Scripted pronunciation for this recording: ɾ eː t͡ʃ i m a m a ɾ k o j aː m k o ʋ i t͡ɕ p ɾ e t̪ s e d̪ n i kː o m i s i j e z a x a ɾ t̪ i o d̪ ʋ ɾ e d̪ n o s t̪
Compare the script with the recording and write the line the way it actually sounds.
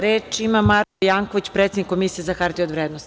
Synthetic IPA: ɾ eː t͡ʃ i m a m a ɾ k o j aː ŋ k o ʋ i t͡ɕ p ɾ e t̪ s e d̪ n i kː o m i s i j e z a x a ɾ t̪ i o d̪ ʋ ɾ e d̪ n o s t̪

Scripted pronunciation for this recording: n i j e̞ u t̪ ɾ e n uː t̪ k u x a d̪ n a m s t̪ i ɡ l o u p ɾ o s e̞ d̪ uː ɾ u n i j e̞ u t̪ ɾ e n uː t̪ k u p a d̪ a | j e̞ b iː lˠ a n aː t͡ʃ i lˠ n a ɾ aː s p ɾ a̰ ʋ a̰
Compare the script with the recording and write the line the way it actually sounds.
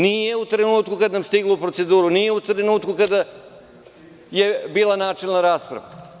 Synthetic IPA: n i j e̞ u t̪ ɾ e n uː t̪ k u k a d̪ n a m s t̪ i ɡ l o u p ɾ o s e̞ d̪ uː ɾ u n i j e̞ u t̪ ɾ e n uː t̪ k u k a d̪ a | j e̞ b iː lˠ a n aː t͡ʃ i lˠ n a ɾ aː s p ɾ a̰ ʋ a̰

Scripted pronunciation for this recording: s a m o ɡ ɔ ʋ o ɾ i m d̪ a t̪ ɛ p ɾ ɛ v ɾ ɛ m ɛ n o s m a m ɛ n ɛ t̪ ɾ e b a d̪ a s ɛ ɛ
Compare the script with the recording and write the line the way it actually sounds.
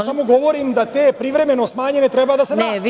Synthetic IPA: s a m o ɡ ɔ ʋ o ɾ i m d̪ a t̪ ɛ p ɾ i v ɾ ɛ m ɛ n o s m a ɲ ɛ n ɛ t̪ ɾ ɛ b a d̪ a s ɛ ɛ

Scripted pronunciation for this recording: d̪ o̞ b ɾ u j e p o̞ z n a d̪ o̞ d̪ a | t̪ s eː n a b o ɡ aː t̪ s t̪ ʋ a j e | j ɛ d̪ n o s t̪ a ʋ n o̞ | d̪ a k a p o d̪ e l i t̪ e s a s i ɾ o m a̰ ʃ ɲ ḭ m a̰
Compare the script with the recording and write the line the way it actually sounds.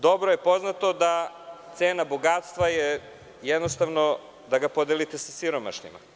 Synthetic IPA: d̪ o̞ b ɾ o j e p o̞ z n a t̪ o̞ d̪ a | t̪ s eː n a b o ɡ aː t̪ s t̪ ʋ a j e | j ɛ d̪ n o s t̪ a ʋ n o̞ | d̪ a ɡ a p o d̪ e l i t̪ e s a s i ɾ o m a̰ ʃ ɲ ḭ m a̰

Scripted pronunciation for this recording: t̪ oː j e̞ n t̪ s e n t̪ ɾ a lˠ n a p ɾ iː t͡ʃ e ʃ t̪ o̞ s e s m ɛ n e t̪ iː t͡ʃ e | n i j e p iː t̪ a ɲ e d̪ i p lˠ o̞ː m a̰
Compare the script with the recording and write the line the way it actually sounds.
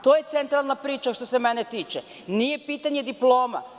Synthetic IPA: t̪ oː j e̞ t̪ s e n t̪ ɾ a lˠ n a p ɾ iː t͡ʃ a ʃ t̪ o̞ s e m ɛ n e t̪ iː t͡ʃ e | n i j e p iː t̪ a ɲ e d̪ i p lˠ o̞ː m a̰

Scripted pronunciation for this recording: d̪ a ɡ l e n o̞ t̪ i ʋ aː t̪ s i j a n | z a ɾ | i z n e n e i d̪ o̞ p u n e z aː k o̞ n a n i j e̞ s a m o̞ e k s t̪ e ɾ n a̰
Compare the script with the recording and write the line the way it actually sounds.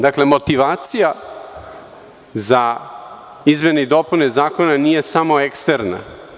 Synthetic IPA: d̪ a k l e m o̞ t̪ i ʋ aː t̪ s i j a | z a | i z m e n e i d̪ o̞ p u n e z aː k o̞ n a n i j e̞ s a m o̞ e k s t̪ e ɾ n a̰

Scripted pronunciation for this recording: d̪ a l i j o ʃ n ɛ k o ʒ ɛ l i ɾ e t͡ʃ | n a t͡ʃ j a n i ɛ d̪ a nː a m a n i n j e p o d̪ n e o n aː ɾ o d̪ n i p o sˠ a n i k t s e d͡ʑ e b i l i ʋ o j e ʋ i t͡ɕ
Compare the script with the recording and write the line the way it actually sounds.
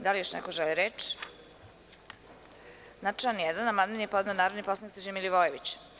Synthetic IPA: d̪ a l i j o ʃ n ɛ k o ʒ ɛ l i ɾ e t͡ʃ | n a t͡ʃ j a n j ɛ d̪ a n a m a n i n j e p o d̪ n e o n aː ɾ o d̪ n i p o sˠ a n i k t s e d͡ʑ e m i l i ʋ o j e ʋ i t͡ɕ

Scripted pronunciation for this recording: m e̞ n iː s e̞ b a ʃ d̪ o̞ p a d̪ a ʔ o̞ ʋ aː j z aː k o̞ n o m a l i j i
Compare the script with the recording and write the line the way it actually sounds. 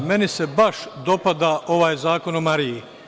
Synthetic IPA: m e̞ n i s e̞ b a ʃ d̪ o̞ p a d̪ a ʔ o̞ ʋ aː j z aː k o̞ n o m a ɾ i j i

